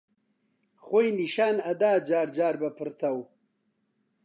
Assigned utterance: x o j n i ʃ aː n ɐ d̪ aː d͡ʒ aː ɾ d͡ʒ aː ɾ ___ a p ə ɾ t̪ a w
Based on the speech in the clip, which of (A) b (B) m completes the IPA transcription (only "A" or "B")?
A